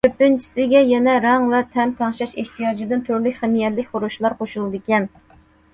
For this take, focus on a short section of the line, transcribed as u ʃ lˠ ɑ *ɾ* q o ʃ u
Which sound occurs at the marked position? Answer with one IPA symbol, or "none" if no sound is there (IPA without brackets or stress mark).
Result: ɾ